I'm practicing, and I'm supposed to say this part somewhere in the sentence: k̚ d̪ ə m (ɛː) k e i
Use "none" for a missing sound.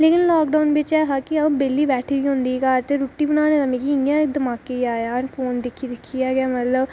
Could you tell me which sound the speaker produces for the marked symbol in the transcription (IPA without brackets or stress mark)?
aː